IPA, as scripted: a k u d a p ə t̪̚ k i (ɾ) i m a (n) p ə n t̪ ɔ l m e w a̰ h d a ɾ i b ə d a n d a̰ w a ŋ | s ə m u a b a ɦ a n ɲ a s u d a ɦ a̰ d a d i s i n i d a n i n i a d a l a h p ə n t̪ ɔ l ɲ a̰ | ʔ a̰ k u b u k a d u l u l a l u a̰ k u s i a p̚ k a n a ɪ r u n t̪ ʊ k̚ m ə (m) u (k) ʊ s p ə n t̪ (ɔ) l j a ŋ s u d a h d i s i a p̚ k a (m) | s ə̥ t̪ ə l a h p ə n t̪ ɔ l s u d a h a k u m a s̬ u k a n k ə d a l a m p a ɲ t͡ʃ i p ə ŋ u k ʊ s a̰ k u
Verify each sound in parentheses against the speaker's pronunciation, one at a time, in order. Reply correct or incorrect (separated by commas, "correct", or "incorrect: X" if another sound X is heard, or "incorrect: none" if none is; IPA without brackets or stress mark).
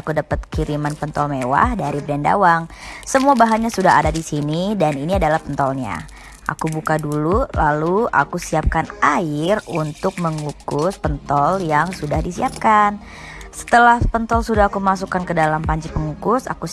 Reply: correct, correct, incorrect: ŋ, correct, correct, incorrect: n